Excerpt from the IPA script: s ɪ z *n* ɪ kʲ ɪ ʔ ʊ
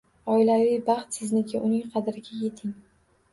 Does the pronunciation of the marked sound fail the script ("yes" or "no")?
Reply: no